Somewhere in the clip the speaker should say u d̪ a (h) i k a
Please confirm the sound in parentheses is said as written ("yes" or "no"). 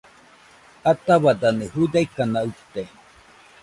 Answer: no